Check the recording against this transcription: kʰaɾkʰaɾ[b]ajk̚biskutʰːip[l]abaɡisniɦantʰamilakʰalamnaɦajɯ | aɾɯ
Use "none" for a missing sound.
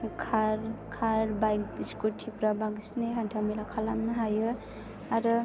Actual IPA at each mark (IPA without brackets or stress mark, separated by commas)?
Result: b, ɾ